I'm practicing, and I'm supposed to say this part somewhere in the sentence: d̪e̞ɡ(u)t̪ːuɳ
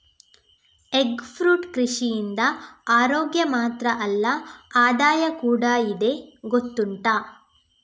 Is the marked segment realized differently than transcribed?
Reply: yes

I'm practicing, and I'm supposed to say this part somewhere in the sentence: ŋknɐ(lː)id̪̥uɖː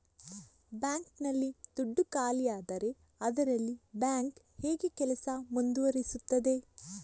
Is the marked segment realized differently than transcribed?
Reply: no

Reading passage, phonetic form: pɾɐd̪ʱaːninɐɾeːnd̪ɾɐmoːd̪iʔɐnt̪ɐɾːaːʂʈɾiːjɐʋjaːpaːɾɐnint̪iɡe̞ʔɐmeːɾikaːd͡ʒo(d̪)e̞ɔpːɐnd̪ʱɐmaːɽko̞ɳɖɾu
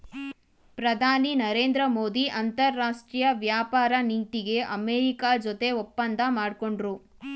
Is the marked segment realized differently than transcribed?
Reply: yes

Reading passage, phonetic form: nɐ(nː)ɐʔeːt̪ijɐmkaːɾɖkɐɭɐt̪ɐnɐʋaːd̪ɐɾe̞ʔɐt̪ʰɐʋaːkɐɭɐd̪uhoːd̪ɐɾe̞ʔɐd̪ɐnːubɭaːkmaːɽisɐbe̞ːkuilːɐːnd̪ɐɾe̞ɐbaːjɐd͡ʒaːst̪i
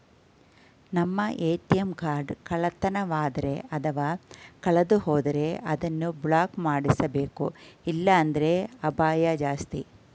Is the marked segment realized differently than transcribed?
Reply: yes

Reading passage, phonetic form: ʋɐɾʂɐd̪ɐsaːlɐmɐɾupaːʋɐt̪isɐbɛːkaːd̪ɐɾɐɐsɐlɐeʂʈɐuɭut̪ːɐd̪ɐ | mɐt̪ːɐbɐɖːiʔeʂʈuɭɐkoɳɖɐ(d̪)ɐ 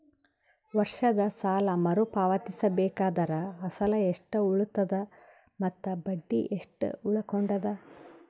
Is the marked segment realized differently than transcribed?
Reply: no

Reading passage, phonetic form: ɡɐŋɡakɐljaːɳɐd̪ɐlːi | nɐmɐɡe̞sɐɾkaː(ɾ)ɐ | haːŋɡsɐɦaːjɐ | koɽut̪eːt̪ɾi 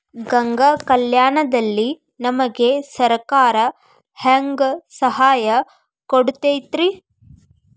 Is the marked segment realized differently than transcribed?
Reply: no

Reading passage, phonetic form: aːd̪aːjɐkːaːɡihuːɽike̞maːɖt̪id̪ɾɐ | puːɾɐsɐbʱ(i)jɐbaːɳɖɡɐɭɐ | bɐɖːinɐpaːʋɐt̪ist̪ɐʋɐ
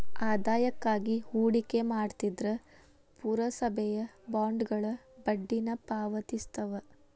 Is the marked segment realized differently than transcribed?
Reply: yes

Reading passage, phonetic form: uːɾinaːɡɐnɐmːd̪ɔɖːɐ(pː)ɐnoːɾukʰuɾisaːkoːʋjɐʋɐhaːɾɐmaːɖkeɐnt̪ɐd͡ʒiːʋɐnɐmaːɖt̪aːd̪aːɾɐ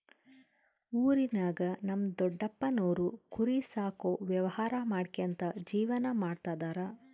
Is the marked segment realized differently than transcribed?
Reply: no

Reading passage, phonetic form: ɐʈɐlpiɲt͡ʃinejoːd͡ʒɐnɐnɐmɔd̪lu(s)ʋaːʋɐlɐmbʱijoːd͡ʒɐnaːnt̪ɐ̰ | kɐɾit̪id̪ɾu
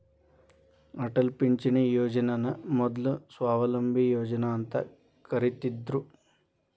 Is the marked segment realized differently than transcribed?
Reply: no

